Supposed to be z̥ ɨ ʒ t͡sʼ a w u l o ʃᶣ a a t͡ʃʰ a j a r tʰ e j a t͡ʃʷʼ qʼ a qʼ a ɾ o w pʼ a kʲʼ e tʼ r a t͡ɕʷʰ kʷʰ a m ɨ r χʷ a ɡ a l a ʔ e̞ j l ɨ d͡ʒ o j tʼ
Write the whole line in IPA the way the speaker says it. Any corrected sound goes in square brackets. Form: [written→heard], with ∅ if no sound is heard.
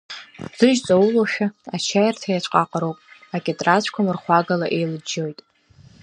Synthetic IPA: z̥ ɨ ʒ t͡sʼ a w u l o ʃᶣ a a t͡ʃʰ a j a r tʰ [e→a] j a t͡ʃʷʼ qʼ a qʼ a ɾ o w pʼ a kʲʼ e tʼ r a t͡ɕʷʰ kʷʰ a m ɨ r χʷ a ɡ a l a ʔ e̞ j l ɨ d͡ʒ o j tʼ